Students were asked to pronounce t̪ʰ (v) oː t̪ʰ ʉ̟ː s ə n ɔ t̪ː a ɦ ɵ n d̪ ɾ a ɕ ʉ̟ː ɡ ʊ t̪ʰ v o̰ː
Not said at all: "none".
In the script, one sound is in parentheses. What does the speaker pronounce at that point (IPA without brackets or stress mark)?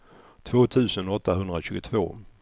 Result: v